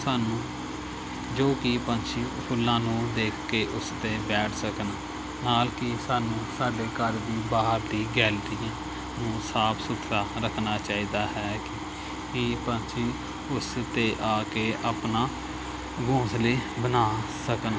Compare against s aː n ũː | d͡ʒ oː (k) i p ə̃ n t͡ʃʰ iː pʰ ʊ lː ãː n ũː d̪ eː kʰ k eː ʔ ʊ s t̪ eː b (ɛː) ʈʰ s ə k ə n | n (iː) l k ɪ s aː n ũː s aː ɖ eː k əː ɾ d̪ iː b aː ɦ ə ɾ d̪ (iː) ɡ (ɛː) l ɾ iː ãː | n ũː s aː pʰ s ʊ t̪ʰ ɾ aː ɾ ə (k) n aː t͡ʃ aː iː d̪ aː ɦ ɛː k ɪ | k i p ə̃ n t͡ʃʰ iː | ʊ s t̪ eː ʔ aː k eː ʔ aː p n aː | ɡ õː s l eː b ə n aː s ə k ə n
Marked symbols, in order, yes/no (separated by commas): yes, yes, no, yes, yes, no